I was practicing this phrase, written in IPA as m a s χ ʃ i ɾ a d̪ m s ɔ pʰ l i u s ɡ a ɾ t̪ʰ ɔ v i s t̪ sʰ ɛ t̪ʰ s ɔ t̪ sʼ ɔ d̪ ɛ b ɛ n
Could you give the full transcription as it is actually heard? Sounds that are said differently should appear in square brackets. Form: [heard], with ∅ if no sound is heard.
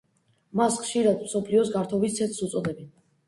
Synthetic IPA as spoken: m a s χ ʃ i ɾ a d̪ m s ɔ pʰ l i [ɔ] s ɡ a ɾ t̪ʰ ɔ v i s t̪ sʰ ɛ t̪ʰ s [u] t̪ sʼ ɔ d̪ ɛ b ɛ n